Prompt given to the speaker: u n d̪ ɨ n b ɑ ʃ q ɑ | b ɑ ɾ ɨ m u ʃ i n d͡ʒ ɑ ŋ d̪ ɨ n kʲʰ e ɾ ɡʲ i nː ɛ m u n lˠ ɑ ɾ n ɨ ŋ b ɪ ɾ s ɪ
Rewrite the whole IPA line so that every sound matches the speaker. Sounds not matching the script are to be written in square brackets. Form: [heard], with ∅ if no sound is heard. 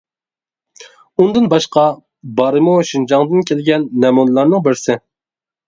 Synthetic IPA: u n d̪ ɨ n b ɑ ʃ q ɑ | b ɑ ɾ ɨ m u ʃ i n d͡ʒ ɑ ŋ d̪ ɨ n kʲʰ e [l] ɡʲ [ɛ] nː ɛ m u n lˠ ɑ ɾ n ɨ ŋ b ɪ ɾ s ɪ